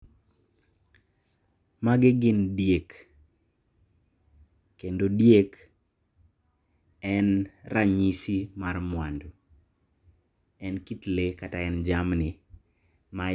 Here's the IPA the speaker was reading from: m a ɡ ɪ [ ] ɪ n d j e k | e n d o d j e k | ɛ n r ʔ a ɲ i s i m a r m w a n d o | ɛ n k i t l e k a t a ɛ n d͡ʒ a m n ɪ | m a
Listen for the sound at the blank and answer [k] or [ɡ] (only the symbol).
ɡ